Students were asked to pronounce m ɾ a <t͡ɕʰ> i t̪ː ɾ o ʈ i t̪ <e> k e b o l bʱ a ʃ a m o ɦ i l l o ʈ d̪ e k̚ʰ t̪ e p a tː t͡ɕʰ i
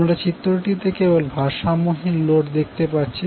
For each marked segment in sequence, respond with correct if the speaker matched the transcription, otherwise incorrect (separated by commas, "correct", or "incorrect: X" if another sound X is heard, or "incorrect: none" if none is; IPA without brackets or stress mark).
incorrect: t͡ɕ, correct